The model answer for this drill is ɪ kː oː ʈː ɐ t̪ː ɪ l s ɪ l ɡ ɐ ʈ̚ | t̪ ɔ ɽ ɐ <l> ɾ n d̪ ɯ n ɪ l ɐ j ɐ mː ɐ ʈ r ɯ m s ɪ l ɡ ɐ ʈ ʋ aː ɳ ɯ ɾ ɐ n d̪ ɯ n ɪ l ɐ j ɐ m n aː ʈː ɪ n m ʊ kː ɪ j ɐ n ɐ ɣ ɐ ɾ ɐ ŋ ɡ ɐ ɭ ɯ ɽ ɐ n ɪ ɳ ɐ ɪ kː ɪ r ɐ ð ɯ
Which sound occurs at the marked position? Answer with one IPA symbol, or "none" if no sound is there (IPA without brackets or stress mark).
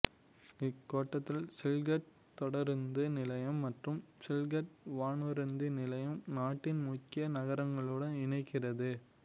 none